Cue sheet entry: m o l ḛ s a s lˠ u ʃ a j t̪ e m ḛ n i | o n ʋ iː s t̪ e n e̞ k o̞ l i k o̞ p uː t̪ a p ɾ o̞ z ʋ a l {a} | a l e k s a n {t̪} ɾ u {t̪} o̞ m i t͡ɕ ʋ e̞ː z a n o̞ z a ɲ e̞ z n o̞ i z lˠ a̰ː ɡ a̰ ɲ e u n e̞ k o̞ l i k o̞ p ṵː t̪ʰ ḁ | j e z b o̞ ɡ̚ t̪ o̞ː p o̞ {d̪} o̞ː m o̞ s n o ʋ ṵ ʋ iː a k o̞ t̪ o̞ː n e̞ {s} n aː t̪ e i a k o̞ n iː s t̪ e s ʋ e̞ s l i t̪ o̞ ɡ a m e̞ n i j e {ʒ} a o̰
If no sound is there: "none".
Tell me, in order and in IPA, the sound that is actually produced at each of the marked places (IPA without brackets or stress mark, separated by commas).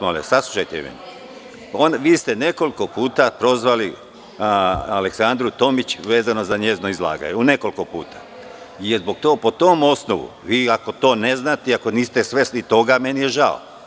i, d̪, t̪, t̪, z, ʒ